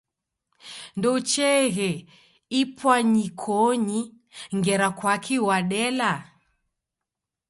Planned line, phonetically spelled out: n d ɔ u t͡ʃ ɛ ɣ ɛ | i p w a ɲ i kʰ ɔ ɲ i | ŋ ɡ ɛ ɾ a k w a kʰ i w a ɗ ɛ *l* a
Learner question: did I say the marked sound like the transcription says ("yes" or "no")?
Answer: yes